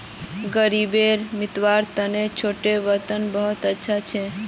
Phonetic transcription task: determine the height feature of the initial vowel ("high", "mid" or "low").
mid